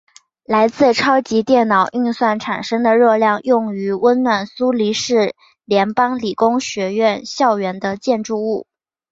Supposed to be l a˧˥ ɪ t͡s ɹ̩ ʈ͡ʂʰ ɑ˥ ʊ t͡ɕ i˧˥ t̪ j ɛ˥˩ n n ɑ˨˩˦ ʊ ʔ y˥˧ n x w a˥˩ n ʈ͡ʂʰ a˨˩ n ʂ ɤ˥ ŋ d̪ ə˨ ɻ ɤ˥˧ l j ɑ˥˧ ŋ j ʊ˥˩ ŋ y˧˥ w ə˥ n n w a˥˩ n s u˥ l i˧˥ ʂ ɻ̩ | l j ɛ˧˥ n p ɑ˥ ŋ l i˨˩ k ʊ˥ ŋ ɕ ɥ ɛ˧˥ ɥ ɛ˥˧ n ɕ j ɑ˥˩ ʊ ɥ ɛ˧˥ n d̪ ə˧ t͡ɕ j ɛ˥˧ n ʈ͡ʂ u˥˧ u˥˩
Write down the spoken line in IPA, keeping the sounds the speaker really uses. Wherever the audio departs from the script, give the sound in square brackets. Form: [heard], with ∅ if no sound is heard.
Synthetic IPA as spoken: l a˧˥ ɪ t͡s ɹ̩ ʈ͡ʂʰ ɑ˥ ʊ t͡ɕ i˧˥ t̪ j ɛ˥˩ n n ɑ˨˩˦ ʊ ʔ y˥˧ n [s] w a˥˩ n ʈ͡ʂʰ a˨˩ n ʂ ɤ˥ ŋ d̪ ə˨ ɻ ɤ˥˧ l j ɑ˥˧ ŋ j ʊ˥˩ ŋ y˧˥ w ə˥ n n w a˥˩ n s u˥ l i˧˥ ʂ ɻ̩ | l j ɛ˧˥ n p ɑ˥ ŋ l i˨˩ k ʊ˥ ŋ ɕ ɥ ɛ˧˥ ɥ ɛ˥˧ n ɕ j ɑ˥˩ ʊ ɥ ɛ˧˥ n d̪ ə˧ t͡ɕ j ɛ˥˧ n ʈ͡ʂ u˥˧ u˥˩